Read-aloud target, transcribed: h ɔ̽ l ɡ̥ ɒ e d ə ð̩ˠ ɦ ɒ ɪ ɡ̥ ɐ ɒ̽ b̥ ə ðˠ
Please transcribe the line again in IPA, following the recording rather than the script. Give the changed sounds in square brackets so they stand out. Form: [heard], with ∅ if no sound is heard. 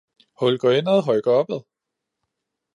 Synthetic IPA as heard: h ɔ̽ l ɡ̥ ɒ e [n] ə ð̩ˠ ɦ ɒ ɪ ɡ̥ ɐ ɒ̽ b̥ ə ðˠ